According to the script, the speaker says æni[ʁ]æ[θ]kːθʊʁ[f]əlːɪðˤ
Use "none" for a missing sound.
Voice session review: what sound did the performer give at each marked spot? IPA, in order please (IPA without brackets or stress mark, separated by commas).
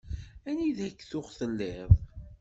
ð, none, θ